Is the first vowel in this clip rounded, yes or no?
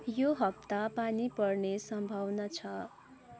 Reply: yes